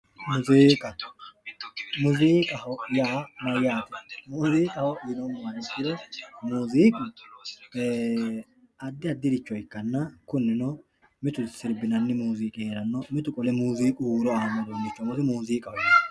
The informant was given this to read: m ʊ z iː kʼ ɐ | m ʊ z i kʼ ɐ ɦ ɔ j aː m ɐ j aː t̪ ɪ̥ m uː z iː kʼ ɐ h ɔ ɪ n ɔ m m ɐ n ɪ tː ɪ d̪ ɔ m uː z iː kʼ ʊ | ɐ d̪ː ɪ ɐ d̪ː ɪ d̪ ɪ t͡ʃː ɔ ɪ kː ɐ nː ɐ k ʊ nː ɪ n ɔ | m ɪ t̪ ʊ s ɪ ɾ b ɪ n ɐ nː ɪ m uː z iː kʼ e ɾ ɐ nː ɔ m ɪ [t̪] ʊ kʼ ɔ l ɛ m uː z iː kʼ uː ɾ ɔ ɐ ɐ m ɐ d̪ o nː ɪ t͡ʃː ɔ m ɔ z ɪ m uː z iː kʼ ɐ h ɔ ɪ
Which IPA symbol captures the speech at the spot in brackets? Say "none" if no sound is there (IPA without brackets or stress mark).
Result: t̪